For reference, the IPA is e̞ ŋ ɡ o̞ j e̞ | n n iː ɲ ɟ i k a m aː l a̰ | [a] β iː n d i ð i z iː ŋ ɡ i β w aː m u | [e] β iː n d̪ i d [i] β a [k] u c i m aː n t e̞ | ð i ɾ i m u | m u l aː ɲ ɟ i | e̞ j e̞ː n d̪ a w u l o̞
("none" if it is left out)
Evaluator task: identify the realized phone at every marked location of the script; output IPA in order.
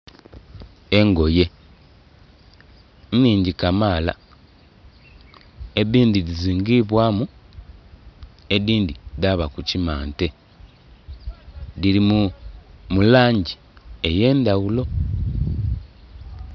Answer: e, e, a, k

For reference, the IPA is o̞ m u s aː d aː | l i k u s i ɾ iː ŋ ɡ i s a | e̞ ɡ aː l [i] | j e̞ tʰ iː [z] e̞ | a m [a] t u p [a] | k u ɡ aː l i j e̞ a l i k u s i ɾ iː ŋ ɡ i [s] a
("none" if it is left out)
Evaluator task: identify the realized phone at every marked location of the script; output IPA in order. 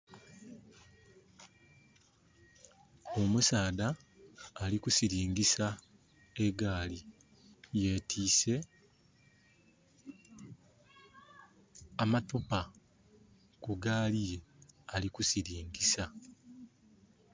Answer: i, s, a, a, s

